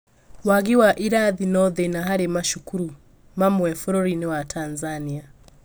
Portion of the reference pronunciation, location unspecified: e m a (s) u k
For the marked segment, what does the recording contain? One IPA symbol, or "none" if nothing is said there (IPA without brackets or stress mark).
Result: ʃ